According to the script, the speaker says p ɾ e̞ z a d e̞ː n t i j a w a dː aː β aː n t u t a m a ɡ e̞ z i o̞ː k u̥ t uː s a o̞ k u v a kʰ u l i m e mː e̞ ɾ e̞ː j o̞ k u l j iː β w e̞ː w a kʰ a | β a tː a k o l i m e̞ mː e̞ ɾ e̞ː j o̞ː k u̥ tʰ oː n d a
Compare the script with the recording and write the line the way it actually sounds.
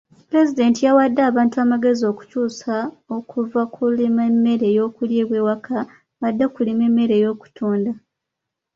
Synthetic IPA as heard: p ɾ e̞ z i d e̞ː n t i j a w a dː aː β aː n t u a m a ɡ e̞ z i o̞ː k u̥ c uː s a o̞ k u v a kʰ u l i m e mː e̞ ɾ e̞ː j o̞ k u l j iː β w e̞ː w a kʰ a | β a dː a k u l i m e̞ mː e̞ ɾ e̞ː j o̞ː k u̥ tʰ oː n d a